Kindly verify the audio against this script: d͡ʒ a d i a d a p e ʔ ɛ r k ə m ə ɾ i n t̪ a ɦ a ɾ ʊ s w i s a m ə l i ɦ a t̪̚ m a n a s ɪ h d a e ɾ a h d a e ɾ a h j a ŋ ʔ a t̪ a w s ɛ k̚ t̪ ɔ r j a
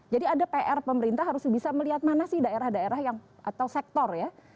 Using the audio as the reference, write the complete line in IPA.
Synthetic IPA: d͡ʒ a d i a d a p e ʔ ɛ r p ə m ə ɾ i n t̪ a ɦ a ɾ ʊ s b i s a m ə l i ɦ a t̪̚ m a n a s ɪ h d a e ɾ a h d a e ɾ a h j a ŋ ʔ a t̪ a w s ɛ k̚ t̪ ɔ r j a